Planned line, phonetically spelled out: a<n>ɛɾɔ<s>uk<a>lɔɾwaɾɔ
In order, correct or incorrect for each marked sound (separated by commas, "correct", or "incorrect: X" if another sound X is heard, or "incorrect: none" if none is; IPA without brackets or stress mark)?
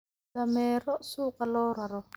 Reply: incorrect: m, correct, correct